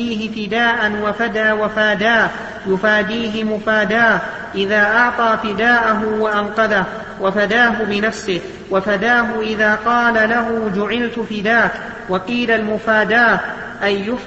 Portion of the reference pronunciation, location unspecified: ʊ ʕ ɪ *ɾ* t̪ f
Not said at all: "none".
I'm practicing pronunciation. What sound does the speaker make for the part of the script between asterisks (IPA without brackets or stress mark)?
l